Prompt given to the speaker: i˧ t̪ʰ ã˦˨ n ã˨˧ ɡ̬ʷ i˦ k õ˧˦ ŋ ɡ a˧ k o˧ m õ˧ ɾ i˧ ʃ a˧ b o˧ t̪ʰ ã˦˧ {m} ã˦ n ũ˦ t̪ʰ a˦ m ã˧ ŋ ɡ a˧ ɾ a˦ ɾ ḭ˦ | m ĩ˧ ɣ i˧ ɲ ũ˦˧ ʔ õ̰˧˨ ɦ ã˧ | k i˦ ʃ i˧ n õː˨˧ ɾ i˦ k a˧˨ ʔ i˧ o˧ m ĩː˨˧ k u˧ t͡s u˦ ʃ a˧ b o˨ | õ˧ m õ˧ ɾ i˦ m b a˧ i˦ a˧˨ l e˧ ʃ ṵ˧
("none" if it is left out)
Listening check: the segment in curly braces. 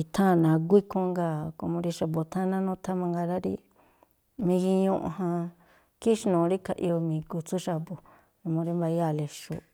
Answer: n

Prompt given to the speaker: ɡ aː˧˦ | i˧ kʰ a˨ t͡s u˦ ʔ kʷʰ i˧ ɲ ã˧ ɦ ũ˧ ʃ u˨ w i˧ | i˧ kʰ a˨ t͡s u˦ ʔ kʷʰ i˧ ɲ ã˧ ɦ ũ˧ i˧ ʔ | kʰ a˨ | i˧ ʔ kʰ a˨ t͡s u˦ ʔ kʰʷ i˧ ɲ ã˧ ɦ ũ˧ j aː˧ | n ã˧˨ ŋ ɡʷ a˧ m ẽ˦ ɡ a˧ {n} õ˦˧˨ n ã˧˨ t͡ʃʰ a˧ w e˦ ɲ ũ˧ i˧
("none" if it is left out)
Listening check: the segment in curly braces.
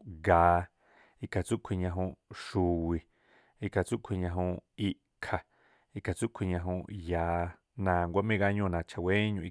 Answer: ɲ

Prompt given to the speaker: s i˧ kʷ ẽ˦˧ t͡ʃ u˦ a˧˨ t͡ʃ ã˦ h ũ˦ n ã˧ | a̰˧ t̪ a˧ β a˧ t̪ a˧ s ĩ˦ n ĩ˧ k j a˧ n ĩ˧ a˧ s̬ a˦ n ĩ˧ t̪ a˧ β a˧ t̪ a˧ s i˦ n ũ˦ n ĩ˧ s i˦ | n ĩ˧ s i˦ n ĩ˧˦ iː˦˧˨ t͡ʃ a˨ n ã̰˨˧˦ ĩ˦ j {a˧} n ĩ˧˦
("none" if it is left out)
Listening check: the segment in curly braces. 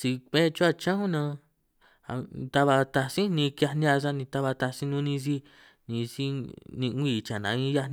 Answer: a˧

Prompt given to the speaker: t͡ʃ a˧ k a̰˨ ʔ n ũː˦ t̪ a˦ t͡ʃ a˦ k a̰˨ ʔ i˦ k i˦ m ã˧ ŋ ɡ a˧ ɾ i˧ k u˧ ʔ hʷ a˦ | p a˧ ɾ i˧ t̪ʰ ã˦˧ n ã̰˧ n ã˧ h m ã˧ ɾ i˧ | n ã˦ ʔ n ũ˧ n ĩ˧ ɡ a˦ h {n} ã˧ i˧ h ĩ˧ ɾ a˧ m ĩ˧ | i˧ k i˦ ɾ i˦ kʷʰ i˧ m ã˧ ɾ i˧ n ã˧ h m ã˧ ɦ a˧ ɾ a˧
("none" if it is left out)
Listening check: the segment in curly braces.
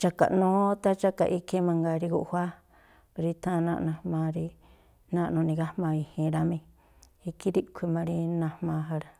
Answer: m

